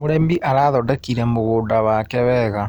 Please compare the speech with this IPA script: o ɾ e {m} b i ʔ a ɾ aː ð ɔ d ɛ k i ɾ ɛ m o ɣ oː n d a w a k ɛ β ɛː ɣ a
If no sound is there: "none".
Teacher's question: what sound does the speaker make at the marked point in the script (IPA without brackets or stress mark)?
m